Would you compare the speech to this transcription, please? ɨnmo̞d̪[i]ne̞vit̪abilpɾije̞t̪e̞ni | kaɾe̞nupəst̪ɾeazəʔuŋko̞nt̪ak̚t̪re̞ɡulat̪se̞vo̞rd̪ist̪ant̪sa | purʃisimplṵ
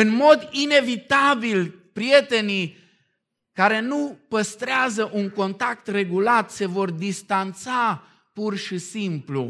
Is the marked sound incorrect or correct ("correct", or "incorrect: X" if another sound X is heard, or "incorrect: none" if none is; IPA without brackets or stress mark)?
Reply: correct